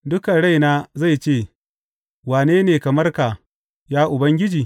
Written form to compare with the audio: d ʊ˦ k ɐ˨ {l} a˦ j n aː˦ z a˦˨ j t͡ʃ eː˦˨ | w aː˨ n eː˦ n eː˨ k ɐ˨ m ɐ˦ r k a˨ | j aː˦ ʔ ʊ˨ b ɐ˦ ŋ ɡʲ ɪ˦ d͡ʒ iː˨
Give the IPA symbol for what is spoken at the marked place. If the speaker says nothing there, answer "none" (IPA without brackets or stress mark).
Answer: ɽ